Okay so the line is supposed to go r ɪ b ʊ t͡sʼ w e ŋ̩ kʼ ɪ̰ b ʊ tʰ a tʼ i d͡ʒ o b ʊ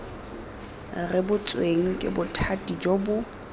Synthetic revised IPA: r ɪ b ʊ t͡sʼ w e ŋ̩ kʼ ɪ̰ b ʊ tʰ a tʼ i d͡ʒ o b ʊ